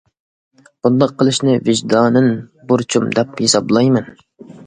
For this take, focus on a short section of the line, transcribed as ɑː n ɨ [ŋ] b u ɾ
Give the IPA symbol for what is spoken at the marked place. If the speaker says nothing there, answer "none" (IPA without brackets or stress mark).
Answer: n